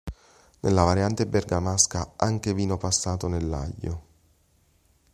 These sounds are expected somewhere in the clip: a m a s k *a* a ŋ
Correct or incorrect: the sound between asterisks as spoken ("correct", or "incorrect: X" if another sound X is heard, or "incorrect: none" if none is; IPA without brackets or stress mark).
correct